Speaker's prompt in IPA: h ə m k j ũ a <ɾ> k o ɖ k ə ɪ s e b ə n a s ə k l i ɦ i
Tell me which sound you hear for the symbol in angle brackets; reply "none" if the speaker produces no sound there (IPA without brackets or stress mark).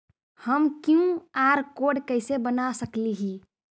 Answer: ɾ